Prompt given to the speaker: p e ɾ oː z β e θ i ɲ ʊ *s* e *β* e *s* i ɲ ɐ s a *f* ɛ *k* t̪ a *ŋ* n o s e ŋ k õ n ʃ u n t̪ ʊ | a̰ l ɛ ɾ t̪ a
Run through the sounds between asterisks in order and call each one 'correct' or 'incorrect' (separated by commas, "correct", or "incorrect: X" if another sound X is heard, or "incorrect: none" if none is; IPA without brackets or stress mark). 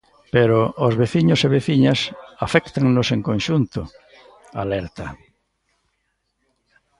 correct, correct, incorrect: θ, correct, correct, correct